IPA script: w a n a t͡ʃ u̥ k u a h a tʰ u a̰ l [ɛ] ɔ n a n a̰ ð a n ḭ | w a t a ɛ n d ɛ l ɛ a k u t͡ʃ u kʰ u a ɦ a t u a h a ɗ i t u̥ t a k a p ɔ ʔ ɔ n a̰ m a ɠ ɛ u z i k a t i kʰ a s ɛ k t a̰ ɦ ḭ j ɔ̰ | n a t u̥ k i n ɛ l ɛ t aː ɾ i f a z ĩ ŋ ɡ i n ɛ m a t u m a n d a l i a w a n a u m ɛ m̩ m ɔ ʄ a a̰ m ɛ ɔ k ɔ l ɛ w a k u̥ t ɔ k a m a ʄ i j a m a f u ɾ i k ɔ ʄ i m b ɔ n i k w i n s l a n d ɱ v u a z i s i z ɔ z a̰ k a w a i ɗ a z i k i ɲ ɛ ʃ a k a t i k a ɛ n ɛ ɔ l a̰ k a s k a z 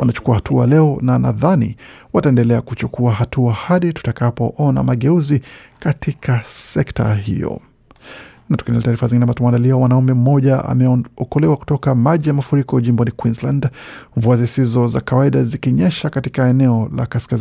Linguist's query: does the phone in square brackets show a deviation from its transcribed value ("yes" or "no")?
no